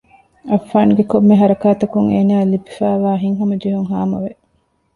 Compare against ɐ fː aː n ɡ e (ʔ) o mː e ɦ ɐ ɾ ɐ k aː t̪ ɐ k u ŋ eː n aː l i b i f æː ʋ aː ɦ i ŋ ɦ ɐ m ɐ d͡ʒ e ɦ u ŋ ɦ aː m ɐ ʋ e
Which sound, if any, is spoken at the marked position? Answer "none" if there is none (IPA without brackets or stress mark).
k